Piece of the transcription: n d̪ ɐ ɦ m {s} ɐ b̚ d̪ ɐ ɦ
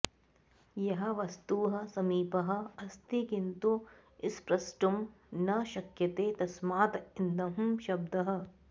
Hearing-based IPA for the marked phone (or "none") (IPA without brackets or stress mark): ʃ